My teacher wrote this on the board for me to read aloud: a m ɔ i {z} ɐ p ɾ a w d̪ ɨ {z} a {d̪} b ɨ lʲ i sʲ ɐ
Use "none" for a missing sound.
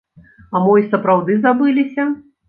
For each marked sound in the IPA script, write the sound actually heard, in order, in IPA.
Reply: s, z, none

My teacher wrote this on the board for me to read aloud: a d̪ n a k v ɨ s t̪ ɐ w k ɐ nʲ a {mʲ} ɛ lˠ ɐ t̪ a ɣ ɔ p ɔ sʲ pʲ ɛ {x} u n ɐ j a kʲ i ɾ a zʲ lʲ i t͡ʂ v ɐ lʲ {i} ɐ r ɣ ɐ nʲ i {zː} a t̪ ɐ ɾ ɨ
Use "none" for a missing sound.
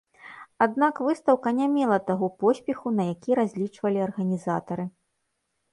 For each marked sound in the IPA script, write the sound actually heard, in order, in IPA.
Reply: mʲ, x, i, z

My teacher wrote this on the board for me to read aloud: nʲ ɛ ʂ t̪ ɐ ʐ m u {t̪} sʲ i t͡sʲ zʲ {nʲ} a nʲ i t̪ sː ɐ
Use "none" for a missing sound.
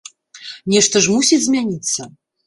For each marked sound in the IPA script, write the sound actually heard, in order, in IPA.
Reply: none, mʲ

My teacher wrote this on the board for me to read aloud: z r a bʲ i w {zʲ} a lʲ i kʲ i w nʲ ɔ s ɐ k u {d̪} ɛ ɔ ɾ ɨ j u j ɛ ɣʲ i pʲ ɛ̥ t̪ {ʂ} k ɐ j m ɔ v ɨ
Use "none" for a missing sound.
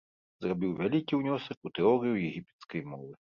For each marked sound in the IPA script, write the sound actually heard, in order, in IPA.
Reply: vʲ, t̪, s

